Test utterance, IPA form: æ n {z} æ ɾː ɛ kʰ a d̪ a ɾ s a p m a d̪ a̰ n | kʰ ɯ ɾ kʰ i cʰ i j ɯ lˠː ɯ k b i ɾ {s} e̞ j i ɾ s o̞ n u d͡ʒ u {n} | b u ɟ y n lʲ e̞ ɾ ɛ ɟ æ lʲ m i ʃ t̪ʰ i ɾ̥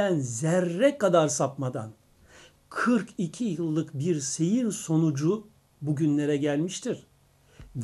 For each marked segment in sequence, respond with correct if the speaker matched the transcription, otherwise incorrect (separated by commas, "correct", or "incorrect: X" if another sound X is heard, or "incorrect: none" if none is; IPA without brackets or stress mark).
correct, correct, incorrect: none